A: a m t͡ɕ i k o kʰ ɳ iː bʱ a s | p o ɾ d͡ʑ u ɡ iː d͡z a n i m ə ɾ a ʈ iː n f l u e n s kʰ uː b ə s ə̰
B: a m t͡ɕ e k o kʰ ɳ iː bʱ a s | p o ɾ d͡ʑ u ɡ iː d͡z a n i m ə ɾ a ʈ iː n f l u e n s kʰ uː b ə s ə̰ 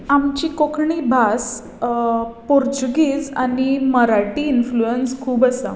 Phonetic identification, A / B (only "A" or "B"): A